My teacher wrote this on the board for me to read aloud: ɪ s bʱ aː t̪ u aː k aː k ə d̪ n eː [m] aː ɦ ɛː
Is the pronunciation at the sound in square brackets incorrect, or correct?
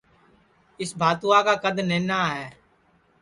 incorrect